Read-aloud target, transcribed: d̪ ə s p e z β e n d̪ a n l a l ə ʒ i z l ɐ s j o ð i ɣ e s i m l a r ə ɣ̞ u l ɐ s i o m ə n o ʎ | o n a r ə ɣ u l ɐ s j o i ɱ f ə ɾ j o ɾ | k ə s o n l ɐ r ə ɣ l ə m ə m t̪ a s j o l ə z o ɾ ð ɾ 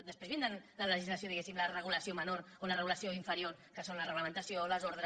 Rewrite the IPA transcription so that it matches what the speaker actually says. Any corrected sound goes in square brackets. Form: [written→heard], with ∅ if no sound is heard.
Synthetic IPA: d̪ ə s p e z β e n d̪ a n l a l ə ʒ i z l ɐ s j o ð i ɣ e s i m l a r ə ɣ̞ u l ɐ s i o m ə n o [ʎ→ɾ] | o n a r ə ɣ u l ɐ s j o i ɱ f ə ɾ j o ɾ | k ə s o n l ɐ r ə ɣ l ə m ə [m→n] t̪ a s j o l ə z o ɾ ð ɾ